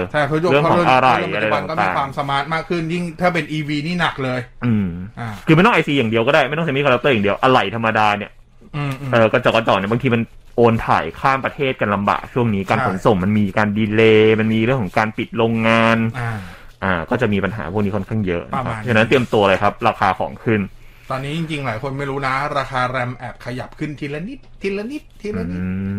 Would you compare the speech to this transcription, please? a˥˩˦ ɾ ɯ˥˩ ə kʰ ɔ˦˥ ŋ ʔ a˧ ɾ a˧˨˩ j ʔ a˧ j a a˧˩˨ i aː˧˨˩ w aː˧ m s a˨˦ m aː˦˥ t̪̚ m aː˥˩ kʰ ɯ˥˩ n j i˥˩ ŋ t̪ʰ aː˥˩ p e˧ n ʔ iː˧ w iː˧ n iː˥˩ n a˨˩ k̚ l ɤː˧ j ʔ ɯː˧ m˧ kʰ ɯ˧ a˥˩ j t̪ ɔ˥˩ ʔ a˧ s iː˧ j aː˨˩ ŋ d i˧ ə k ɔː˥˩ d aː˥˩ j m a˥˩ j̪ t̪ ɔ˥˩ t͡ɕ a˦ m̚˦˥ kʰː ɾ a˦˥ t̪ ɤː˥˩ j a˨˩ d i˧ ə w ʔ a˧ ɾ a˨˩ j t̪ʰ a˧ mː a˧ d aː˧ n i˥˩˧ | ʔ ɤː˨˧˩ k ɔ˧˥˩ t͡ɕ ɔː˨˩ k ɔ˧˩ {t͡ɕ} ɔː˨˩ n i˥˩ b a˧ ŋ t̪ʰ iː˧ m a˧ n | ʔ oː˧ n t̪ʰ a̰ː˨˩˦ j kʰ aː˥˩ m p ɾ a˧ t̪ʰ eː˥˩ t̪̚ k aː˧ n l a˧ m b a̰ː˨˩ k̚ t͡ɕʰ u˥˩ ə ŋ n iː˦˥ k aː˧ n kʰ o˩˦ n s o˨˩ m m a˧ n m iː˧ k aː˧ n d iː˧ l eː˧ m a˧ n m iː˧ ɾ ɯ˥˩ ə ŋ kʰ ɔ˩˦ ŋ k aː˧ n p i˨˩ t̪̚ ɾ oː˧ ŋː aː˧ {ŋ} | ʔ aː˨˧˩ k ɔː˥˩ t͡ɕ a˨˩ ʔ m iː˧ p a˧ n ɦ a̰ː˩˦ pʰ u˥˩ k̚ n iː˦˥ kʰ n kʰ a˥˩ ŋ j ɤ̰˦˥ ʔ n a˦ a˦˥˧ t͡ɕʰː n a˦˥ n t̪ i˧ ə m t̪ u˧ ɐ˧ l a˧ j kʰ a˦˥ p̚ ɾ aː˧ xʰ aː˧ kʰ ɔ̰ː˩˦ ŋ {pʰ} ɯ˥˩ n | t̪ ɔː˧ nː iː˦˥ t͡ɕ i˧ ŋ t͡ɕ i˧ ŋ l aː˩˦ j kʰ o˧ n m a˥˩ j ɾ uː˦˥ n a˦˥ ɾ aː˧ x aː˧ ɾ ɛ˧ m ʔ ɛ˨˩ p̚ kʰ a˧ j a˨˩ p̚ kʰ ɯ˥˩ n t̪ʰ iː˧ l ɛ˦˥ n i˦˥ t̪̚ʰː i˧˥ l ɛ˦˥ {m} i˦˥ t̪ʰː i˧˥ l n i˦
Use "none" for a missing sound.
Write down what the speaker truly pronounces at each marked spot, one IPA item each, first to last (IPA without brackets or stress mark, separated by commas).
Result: t͡ɕ, n, kʰ, n